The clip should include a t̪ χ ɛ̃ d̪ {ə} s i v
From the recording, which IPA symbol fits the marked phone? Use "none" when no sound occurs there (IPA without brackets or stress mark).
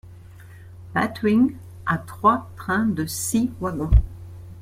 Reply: ə